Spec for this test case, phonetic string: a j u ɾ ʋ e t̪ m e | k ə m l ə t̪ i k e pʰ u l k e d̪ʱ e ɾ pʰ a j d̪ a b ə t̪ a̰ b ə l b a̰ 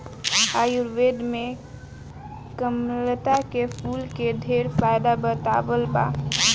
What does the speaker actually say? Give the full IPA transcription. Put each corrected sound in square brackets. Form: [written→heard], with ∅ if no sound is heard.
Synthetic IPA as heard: a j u ɾ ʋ e [t̪→d̪] m e | k ə m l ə t̪ [i→a] k e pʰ u l k e d̪ʱ e ɾ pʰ a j d̪ a b ə t̪ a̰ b ə l b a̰